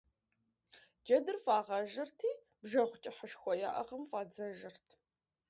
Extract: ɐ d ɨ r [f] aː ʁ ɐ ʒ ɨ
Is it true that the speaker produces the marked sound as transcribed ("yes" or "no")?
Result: yes